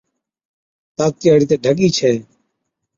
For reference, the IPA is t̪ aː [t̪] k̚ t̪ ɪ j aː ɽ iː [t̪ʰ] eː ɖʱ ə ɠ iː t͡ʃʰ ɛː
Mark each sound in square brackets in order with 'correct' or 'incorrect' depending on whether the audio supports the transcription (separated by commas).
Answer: incorrect, incorrect